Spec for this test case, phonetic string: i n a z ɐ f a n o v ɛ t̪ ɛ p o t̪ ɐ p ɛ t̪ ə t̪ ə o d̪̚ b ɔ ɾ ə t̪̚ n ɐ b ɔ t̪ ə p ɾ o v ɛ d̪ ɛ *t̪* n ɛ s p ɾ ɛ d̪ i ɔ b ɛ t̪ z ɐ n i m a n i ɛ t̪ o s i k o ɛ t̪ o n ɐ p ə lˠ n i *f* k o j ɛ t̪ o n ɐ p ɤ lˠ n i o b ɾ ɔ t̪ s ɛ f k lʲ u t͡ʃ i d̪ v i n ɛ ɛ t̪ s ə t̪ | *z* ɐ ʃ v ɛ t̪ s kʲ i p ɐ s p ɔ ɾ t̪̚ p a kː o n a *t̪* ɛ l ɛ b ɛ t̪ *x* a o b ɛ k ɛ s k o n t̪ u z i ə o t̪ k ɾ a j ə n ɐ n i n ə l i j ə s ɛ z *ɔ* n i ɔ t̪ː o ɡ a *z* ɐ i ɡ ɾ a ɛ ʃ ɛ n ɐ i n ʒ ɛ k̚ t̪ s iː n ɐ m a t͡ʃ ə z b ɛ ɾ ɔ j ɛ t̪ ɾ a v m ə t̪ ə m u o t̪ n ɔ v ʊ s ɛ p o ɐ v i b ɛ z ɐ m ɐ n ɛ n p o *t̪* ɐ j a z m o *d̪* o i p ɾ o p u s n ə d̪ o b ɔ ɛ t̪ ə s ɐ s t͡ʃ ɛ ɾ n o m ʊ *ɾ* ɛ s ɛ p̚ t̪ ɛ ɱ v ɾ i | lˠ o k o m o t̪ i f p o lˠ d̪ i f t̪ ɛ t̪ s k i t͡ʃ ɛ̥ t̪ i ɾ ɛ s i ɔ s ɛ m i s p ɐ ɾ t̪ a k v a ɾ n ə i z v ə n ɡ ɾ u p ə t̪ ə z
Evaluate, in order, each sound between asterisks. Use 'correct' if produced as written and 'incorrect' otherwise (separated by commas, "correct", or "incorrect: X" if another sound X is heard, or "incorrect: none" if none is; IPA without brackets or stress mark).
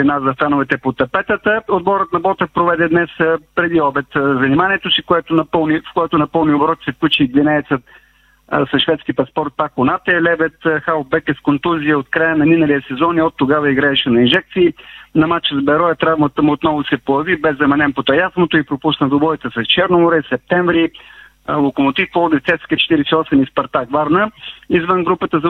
incorrect: d̪, correct, incorrect: s, correct, correct, correct, incorrect: v, correct, incorrect: t̪, correct